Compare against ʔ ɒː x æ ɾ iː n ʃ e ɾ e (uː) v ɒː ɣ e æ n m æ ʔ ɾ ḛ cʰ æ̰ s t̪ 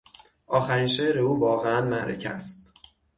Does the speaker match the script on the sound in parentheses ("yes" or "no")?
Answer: yes